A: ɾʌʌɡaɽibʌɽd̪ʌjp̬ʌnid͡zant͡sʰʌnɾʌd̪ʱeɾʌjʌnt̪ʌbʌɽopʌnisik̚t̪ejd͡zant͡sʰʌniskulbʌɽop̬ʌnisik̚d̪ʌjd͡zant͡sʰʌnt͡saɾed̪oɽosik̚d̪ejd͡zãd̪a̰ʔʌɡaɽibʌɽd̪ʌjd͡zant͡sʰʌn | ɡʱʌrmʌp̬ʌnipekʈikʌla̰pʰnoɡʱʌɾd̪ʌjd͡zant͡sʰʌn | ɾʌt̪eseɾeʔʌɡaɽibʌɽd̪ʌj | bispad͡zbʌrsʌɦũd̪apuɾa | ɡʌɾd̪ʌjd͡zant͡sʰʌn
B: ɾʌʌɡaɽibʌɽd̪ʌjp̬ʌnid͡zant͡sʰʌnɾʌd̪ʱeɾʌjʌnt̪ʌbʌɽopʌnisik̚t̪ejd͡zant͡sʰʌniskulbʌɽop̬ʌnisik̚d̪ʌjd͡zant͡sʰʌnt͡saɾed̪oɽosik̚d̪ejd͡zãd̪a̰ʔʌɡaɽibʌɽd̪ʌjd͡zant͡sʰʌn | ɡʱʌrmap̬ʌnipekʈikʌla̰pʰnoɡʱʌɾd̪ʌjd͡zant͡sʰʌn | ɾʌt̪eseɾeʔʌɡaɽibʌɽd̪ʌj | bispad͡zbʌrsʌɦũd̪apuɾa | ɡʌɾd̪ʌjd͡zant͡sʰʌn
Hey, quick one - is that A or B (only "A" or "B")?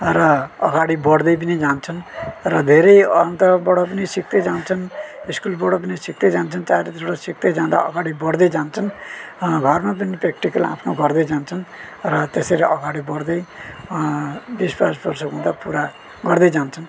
B